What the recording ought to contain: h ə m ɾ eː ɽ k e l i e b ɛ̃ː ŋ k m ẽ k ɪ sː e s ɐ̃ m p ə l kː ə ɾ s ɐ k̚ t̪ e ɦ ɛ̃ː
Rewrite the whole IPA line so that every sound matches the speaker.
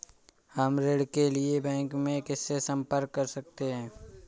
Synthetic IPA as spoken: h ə m ɾ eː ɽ k e l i e b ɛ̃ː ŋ k m ẽ k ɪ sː e s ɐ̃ m p ə ɾ kː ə ɾ s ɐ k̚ t̪ e ɦ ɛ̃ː